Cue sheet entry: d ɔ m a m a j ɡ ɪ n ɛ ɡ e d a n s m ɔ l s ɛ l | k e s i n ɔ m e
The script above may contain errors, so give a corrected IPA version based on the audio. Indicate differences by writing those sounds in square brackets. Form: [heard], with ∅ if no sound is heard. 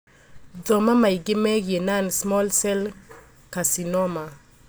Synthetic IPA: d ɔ m a m a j ɡ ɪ [m] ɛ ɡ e [n] a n s m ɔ l s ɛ l | k [a] s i n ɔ m [a]